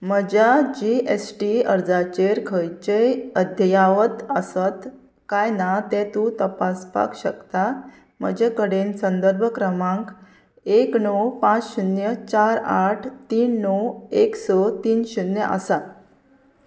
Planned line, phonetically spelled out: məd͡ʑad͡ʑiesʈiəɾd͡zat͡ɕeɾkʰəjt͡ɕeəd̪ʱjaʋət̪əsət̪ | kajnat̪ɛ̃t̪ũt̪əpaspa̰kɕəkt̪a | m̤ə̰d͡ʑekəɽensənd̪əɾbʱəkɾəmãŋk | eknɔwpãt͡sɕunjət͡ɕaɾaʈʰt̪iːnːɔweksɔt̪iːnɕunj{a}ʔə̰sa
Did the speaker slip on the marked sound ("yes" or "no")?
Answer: yes